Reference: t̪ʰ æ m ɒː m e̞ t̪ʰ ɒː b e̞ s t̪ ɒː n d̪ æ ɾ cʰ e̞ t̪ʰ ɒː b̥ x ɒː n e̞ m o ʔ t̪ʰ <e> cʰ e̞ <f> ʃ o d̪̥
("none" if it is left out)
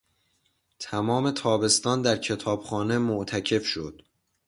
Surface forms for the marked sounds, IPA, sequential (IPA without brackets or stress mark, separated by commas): æ, f